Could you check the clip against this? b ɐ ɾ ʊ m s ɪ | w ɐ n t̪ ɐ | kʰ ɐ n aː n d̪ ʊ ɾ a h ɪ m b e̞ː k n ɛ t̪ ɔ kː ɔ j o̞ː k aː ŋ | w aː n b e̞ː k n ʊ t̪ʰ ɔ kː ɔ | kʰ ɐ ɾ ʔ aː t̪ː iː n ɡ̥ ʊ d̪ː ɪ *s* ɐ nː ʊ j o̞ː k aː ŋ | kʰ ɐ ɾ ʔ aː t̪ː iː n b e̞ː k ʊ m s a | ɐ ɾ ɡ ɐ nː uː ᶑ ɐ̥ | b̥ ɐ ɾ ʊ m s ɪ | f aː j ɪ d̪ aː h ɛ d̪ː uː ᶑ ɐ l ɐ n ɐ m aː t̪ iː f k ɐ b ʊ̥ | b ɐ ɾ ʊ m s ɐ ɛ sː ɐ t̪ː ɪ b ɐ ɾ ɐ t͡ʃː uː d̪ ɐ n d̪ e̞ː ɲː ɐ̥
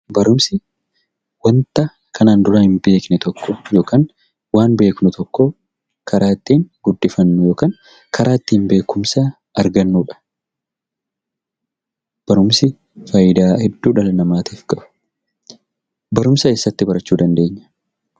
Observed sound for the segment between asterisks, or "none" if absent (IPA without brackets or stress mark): f